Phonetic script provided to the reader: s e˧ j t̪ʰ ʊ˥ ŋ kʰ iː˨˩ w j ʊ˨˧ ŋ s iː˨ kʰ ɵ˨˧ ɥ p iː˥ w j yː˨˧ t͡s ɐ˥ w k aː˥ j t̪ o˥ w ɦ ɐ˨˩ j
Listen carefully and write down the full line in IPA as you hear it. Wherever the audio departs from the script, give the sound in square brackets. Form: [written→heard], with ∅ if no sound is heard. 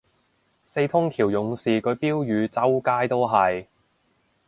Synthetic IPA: s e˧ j t̪ʰ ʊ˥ ŋ kʰ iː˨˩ w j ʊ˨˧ ŋ s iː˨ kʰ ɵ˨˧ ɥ p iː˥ w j yː˨˧ t͡s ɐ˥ w k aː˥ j t̪ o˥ w ɦ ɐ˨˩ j